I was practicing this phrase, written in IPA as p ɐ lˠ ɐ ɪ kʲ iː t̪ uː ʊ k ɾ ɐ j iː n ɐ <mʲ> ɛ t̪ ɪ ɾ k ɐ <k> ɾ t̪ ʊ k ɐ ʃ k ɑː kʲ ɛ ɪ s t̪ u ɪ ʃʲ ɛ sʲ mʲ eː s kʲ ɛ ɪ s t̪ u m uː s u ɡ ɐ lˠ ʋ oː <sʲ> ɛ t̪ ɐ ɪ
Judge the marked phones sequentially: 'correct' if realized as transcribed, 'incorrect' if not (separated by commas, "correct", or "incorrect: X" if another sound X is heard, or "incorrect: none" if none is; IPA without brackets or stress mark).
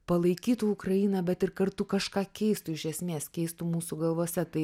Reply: incorrect: bʲ, incorrect: none, correct